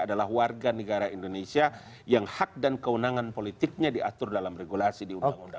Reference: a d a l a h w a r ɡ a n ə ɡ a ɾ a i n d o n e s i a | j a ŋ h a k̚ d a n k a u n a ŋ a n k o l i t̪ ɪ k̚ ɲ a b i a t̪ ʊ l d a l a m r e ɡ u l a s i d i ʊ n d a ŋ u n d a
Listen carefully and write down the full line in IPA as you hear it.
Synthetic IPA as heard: a d a l a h w a r ɡ a n ə ɡ a ɾ a i n d o n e s i a | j a ŋ h a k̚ d a n k ə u n a ŋ a n p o l i t̪ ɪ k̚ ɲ a d i a t̪ ʊ r d a l a m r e ɡ u l a s i d i u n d a ŋ u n d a